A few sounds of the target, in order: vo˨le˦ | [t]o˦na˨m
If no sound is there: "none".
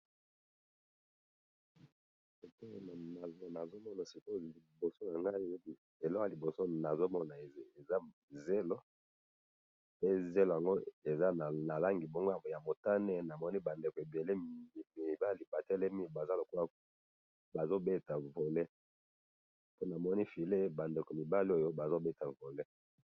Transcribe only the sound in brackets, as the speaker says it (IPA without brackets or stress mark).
p